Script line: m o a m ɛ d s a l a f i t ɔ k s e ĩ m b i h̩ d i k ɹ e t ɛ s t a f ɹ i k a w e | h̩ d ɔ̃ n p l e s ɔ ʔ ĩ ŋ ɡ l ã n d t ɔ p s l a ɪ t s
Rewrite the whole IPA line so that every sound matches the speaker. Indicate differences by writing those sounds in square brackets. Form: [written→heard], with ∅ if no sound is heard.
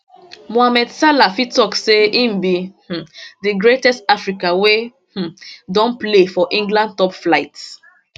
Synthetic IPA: m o a m ɛ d s a l a f i t ɔ k s e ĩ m b i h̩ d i [k→ɡ] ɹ e t ɛ s t a f ɹ i k a w e | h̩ d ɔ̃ n p l e [s→f] ɔ ʔ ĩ ŋ ɡ l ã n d t ɔ p [s→f] l a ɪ t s